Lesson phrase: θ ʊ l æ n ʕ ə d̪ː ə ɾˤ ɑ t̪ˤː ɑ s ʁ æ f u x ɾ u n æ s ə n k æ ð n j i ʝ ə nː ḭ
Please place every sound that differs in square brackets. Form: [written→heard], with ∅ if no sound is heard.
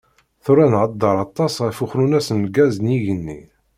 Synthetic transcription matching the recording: θ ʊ [l→ɾ] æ n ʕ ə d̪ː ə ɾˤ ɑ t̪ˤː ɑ s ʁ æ f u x ɾ u n æ s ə n [k→ɡ] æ [ð→z] n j i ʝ ə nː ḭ